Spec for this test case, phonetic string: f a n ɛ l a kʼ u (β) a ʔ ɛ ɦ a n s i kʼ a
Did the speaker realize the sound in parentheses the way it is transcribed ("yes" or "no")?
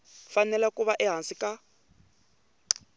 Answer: yes